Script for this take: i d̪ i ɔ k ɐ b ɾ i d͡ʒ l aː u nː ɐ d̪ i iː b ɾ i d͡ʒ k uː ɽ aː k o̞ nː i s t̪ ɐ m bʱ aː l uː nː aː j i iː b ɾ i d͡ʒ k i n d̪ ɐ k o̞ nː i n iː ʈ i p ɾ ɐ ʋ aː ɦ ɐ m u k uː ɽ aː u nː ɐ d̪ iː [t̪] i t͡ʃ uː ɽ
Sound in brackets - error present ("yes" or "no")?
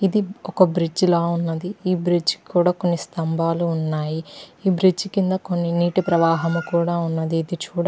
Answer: yes